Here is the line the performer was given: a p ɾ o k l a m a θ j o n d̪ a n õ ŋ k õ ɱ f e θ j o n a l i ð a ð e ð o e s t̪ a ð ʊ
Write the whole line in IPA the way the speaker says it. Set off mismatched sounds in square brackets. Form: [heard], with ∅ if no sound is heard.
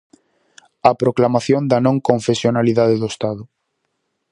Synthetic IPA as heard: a p ɾ o k l a m a θ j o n d̪ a n õ ŋ k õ ɱ f e [s] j o n a l i ð a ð e ð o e s t̪ a ð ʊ